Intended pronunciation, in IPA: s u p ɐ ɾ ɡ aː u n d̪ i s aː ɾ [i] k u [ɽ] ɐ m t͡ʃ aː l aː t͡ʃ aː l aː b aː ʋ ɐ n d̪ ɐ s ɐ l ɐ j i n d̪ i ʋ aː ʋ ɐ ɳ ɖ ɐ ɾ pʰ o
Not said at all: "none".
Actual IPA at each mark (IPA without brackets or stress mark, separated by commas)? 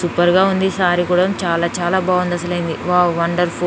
i, ɽ